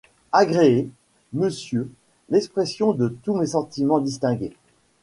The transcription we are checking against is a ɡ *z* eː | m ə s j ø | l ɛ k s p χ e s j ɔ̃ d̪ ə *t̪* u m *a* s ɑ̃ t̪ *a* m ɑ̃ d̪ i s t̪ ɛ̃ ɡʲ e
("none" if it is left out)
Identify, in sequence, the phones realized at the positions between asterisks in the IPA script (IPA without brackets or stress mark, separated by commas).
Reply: ʁ, t̪, e, i